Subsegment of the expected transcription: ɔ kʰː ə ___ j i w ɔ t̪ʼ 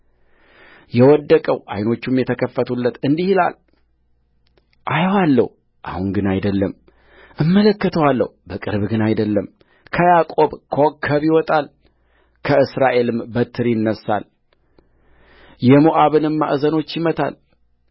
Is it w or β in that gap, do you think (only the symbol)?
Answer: β